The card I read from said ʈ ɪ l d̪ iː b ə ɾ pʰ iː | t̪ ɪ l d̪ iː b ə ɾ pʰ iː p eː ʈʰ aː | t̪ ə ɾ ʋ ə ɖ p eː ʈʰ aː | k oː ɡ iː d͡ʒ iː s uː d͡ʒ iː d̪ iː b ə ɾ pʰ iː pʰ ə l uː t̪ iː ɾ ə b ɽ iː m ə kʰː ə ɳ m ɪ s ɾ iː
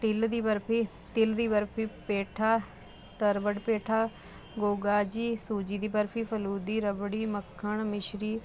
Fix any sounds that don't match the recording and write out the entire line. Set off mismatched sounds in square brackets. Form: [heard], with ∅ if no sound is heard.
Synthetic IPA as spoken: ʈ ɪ l d̪ iː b ə ɾ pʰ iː | t̪ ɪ l d̪ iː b ə ɾ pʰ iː p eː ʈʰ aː | t̪ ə ɾ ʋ ə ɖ p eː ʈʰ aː | [ɡ] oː ɡ [aː] d͡ʒ iː s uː d͡ʒ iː d̪ iː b ə ɾ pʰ iː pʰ ə l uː [d̪] iː ɾ ə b ɽ iː m ə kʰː ə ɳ m ɪ [ʃ] ɾ iː